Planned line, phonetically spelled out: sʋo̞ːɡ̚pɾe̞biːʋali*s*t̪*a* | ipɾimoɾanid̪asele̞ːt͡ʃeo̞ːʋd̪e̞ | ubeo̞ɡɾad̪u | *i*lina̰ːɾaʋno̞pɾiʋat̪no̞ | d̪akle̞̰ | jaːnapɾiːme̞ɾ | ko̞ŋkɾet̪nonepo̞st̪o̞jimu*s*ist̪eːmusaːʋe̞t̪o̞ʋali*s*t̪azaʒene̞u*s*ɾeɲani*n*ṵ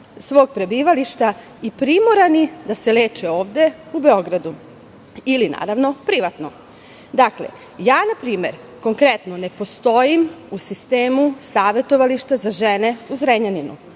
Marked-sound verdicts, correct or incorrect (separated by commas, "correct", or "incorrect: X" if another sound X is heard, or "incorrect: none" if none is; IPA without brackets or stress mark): incorrect: ʃ, correct, correct, correct, incorrect: ʃ, incorrect: z, correct